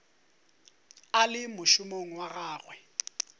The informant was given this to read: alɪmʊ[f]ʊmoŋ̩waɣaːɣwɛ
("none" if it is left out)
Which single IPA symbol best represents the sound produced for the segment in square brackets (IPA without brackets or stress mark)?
ʃ